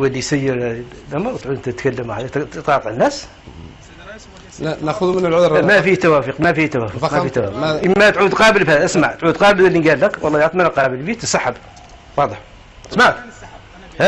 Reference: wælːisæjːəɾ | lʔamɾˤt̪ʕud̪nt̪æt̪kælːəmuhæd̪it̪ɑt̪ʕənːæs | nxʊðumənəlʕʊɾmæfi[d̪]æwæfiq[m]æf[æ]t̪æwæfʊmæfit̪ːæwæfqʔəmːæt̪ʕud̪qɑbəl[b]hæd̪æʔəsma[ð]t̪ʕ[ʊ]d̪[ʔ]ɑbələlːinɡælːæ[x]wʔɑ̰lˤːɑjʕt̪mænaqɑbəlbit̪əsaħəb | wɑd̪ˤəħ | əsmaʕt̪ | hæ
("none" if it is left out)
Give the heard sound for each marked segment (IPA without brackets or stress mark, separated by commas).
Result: t̪, m, i, b, ʕ, u, q, k